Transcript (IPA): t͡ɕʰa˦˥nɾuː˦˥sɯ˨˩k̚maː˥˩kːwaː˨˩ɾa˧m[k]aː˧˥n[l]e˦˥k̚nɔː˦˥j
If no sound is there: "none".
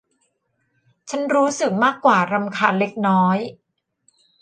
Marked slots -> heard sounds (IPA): kʰ, l

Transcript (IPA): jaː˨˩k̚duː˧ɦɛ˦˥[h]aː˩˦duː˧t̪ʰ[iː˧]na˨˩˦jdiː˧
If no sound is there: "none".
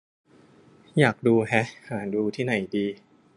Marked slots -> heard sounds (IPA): h, iː˥˩

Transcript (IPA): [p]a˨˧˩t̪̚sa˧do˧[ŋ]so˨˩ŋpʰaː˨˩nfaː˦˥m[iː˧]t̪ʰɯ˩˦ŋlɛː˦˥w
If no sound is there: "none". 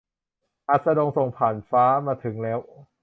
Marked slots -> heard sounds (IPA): ʔ, ŋ, aː˧

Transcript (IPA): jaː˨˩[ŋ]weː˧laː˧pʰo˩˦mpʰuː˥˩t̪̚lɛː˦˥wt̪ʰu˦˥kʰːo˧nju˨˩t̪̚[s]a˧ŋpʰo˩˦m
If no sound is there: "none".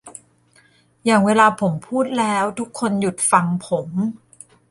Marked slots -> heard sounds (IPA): ŋ, f

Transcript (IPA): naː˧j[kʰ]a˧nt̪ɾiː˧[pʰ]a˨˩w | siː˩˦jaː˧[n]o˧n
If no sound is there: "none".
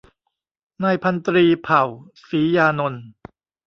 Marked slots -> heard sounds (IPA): pʰ, pʰ, n

